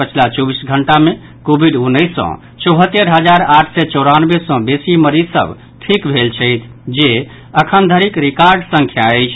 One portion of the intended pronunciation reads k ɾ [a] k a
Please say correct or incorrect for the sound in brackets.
incorrect